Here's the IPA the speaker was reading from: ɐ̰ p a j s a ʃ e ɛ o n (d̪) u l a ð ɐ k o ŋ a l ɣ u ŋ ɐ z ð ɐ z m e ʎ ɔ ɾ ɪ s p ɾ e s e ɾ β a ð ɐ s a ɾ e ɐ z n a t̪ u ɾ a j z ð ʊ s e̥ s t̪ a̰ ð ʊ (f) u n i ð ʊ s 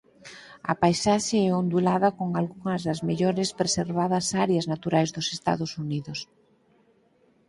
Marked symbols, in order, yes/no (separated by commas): yes, no